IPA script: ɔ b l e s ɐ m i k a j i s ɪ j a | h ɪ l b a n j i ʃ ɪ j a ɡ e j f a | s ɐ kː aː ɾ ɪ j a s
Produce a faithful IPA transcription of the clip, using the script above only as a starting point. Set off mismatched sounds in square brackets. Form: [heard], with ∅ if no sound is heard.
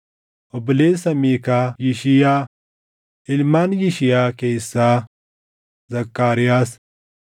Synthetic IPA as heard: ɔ b l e s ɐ m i k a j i [ʃ] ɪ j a | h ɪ l [m] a n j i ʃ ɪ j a [k] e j [s] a | [z] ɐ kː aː ɾ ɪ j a s